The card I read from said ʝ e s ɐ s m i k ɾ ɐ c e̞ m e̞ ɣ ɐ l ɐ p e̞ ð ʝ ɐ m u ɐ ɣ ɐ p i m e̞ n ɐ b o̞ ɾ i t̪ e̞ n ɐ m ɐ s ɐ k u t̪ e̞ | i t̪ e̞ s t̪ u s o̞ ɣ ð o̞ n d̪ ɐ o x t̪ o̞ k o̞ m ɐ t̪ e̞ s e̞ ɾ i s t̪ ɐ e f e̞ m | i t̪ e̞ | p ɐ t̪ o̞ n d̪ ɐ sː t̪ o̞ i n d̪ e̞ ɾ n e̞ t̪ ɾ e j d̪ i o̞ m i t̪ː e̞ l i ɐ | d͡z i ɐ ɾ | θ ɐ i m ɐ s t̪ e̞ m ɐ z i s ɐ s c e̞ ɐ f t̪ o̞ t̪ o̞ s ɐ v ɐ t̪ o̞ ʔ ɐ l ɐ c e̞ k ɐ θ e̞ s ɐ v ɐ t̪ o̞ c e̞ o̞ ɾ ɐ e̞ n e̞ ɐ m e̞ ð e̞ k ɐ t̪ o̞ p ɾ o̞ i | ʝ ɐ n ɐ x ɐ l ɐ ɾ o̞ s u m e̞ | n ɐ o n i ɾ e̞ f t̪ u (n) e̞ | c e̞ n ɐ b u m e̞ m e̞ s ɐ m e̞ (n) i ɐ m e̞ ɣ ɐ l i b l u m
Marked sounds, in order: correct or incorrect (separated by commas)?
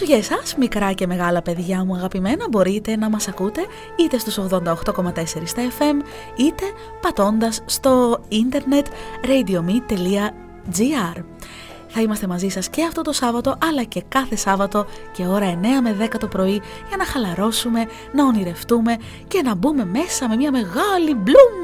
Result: incorrect, incorrect